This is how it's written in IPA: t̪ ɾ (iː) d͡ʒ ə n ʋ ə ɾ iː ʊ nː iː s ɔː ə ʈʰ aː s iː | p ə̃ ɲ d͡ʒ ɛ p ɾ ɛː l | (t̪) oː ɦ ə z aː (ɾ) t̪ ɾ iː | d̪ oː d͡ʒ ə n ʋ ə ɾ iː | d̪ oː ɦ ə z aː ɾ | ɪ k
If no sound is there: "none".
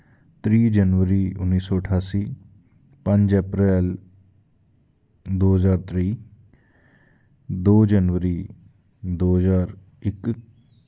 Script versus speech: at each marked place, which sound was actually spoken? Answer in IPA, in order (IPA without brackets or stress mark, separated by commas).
iː, d̪, ɾ